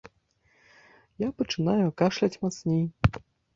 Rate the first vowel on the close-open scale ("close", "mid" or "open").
open